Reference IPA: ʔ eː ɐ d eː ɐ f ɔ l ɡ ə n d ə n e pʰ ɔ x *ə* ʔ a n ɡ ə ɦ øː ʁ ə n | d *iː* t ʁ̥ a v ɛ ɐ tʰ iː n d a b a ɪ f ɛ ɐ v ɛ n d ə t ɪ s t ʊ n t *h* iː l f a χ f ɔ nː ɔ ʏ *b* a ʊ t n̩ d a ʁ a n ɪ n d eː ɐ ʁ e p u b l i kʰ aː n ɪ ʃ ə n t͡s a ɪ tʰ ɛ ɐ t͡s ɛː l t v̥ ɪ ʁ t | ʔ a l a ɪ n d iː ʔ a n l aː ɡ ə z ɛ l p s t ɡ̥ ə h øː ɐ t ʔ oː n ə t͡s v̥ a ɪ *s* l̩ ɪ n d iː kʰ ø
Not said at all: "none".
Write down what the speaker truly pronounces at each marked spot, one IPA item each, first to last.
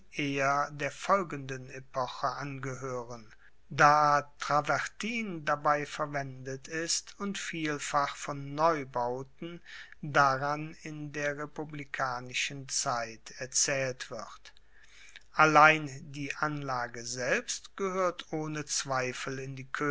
ə, aː, f, b, f

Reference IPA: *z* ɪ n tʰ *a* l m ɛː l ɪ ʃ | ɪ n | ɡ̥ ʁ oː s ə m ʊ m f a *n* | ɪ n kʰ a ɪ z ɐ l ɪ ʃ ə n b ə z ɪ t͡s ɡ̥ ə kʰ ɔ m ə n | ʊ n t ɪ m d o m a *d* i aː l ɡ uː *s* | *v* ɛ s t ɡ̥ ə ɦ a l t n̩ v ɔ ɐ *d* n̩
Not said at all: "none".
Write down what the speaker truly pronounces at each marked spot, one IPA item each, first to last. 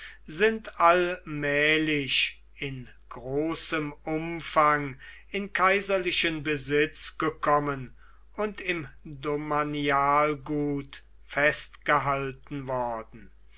z, a, ŋ, n, t, f, d

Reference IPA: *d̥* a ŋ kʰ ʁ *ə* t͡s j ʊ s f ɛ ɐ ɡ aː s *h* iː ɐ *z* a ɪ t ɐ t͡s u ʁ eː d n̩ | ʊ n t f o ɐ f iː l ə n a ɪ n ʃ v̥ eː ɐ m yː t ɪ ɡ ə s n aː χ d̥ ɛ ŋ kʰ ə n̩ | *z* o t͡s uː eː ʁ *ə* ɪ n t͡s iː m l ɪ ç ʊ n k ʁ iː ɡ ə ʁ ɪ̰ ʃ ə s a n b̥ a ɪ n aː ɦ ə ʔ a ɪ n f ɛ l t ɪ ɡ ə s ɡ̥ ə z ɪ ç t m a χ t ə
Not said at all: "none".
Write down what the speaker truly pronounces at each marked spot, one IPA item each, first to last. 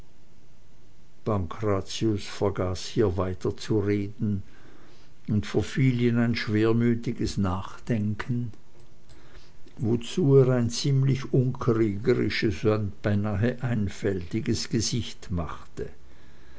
b̥, a, h, v, v, a

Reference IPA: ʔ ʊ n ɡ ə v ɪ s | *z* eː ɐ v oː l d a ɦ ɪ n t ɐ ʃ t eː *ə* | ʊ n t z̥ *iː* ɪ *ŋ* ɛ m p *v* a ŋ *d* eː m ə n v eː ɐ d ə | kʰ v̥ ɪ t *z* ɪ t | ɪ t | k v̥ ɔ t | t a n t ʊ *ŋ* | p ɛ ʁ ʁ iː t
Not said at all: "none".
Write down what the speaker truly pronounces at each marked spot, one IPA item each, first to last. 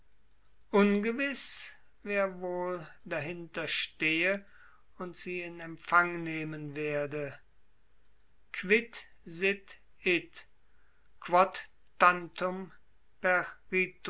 v, ə, iː, n, f, n, z, m

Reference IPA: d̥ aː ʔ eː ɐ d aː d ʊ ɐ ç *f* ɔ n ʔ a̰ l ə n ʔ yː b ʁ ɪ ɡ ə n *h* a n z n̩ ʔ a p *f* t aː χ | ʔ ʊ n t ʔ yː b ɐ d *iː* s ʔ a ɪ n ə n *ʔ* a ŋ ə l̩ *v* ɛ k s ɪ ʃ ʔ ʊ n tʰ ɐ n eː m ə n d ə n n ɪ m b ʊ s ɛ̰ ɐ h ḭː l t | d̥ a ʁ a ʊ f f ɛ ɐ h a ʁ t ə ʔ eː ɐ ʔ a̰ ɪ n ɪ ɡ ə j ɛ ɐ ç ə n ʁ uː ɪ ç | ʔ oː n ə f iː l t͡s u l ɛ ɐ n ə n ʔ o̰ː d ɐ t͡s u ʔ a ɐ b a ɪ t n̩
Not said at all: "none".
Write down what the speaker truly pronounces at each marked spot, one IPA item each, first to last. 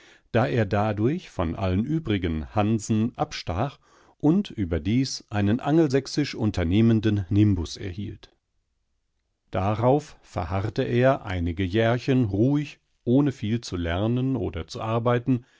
f, h, ʃ, iː, ʔ, z

